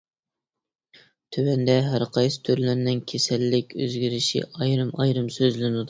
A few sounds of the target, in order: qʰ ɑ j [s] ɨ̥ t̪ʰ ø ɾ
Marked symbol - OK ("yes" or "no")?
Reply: yes